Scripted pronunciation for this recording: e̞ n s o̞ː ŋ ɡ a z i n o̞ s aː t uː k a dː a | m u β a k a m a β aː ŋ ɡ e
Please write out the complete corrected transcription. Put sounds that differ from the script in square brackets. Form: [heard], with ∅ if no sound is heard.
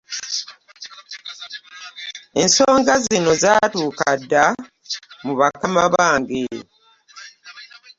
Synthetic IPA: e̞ n s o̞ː ŋ ɡ a z i n o̞ [z] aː t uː k a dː a | m u β a k a m a β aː ŋ ɡ e